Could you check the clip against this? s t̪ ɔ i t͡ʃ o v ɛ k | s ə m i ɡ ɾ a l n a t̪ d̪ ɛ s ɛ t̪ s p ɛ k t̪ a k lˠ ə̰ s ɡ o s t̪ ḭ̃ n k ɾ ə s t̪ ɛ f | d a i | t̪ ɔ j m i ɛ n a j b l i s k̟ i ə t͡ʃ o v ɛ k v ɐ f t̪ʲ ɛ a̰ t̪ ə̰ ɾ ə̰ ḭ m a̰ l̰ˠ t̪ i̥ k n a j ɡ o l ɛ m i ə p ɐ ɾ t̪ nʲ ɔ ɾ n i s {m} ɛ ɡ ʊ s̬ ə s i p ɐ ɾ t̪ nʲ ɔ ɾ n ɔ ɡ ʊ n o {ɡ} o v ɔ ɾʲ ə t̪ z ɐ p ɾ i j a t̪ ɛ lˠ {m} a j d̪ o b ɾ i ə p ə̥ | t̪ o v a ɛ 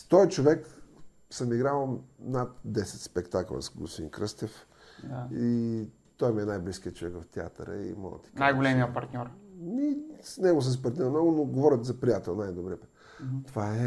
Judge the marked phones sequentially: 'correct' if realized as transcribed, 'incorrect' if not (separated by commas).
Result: incorrect, correct, incorrect